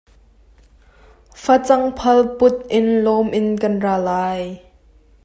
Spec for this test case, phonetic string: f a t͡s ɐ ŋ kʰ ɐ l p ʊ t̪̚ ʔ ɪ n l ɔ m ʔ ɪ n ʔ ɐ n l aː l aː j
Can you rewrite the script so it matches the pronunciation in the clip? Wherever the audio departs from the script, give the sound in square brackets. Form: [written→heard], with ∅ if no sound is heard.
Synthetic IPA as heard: f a t͡s ɐ ŋ [kʰ→pʰ] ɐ l p ʊ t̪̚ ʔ ɪ n l ɔ m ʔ ɪ n [ʔ→k] ɐ n [l→r] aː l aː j